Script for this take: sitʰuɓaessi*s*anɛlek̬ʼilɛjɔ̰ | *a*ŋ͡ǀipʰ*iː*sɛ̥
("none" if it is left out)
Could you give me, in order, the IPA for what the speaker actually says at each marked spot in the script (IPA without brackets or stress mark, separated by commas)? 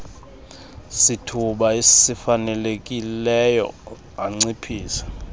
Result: f, a, iː